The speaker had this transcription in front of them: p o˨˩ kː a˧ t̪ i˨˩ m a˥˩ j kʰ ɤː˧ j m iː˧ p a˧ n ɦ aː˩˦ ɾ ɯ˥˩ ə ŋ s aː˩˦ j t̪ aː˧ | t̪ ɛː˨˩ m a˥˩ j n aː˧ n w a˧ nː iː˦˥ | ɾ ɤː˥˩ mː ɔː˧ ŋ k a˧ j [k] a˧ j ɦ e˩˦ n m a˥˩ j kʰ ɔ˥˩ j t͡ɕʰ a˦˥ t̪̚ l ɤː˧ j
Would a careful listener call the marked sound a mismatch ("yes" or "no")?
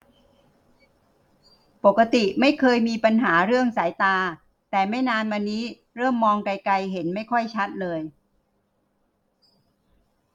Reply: no